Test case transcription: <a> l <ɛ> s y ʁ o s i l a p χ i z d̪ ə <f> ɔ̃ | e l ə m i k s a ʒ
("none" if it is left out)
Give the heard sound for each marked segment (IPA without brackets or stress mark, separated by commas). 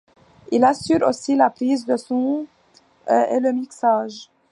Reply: i, a, s